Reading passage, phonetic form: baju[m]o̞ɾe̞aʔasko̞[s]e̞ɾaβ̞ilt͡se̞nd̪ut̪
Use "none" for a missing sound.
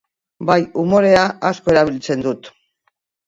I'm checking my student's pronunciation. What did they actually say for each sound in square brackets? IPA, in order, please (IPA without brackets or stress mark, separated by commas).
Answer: m, none